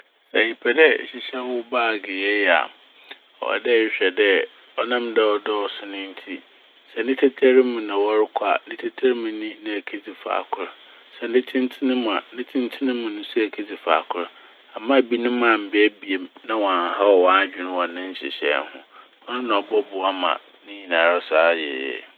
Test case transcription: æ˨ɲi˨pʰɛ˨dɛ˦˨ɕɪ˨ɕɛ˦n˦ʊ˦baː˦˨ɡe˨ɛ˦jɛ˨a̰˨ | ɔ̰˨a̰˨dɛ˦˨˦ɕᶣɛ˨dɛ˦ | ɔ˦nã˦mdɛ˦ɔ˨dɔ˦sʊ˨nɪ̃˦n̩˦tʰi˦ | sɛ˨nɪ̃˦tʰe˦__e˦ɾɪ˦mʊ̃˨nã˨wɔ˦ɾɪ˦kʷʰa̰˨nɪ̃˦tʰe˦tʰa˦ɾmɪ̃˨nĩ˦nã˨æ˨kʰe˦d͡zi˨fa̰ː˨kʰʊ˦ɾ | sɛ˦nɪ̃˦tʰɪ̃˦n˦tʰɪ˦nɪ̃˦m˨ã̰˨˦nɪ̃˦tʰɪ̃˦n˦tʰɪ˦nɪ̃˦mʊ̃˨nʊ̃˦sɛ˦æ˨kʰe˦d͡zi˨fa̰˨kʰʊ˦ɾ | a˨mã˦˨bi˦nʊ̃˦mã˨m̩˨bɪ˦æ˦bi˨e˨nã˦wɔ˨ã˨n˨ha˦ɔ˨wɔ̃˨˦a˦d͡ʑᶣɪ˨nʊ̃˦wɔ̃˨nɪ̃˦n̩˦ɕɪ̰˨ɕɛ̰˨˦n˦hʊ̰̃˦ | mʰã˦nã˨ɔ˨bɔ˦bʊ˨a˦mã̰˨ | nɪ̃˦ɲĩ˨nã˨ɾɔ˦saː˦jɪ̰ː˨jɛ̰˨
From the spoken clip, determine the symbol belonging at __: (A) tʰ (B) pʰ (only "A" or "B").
A